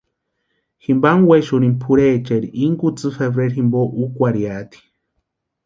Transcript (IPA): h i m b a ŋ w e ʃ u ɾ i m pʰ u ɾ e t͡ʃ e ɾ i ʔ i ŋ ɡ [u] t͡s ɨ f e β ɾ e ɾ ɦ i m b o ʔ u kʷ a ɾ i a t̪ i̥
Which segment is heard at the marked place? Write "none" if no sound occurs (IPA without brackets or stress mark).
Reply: u